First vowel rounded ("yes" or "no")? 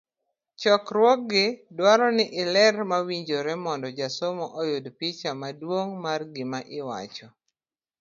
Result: yes